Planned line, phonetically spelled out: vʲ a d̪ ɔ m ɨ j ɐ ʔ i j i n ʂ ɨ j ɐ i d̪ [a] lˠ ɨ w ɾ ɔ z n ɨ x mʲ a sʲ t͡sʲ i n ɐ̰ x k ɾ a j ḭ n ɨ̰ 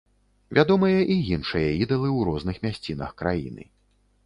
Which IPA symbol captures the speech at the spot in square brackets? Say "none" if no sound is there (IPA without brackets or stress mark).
ɐ